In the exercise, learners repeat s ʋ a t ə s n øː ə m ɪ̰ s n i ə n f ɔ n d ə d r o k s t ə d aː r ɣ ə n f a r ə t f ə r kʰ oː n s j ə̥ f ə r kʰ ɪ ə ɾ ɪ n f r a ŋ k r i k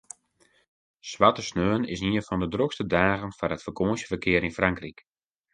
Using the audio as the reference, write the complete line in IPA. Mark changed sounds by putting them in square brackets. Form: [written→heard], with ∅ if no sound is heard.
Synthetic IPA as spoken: s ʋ a t ə s n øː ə [m→n] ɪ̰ s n i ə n f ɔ n d ə d r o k s t ə d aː [r→∅] ɣ ə n f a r ə t f ə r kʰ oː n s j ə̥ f ə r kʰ ɪ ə ɾ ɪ n f r a ŋ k r i k